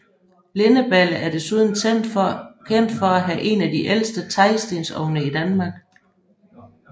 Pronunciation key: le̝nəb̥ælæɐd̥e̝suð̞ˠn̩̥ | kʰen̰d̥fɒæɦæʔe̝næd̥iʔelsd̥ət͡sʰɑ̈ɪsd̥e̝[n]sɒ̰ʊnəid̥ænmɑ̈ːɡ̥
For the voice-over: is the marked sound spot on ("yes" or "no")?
yes